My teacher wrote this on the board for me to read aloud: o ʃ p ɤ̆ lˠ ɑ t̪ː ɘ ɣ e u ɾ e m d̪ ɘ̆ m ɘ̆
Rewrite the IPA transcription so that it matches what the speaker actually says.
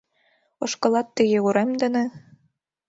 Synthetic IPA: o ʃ k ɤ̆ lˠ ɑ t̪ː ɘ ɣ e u ɾ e m d̪ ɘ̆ n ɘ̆